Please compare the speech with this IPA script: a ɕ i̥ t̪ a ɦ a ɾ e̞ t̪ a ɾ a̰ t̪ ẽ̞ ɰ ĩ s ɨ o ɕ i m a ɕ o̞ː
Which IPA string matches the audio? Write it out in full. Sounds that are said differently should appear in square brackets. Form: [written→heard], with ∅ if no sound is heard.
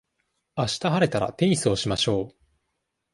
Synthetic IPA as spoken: a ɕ i̥ t̪ a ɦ a ɾ e̞ t̪ a ɾ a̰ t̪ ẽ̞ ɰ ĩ s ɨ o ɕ i m a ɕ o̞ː